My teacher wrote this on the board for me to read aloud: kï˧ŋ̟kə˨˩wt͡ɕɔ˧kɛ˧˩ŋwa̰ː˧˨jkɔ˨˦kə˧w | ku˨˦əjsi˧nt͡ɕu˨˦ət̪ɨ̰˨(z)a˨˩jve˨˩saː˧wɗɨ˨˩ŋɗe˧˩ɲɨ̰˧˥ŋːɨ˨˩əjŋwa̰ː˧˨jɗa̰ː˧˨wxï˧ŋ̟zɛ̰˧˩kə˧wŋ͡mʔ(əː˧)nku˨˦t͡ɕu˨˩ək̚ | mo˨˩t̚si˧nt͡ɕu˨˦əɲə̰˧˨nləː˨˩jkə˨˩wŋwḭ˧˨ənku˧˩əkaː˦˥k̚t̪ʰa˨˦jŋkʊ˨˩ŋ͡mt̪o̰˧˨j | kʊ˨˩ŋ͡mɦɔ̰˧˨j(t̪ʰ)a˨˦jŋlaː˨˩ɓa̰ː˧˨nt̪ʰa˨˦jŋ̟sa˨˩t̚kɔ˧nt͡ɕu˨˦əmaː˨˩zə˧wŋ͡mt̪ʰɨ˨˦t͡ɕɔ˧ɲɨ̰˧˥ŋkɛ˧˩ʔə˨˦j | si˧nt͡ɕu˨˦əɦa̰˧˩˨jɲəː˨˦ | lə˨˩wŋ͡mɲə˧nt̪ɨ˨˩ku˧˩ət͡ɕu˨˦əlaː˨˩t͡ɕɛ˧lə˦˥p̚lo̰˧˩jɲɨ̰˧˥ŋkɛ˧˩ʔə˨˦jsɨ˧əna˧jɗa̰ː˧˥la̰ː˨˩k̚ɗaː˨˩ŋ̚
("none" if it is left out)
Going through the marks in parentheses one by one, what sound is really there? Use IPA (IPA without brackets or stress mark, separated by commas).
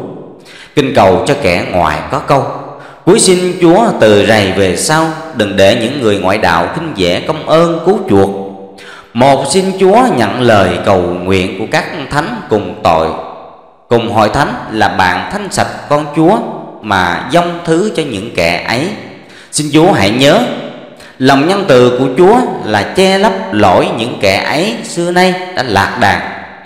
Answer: z, əː˧, t̪ʰ